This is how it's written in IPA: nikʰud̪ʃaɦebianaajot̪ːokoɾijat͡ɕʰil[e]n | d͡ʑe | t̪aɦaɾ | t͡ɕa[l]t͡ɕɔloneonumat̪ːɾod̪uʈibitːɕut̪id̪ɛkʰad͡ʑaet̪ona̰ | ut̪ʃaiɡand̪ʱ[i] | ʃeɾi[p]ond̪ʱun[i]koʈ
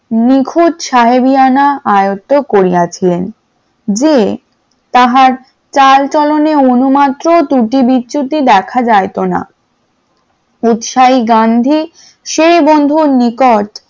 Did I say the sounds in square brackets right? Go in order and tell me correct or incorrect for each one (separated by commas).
correct, correct, correct, incorrect, correct